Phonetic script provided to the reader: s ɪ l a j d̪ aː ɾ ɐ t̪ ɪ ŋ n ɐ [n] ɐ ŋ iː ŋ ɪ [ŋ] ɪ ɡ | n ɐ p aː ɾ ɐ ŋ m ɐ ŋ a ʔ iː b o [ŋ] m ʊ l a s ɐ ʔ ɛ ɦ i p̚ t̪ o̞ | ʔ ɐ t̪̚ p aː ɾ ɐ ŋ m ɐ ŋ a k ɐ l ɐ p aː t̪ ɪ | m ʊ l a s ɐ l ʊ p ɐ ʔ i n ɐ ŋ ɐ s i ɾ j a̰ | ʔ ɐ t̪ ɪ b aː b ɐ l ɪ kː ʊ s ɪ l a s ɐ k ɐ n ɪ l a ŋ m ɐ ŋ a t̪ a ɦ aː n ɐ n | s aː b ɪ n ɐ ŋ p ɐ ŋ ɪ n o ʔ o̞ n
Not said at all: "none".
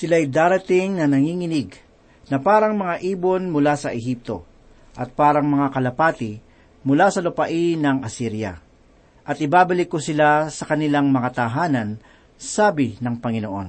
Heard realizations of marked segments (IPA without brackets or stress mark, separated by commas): n, n, n